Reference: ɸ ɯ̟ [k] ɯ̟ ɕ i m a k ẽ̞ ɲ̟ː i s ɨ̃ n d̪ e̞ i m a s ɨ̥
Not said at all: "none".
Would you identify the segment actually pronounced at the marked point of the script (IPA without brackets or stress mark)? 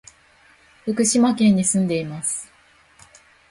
k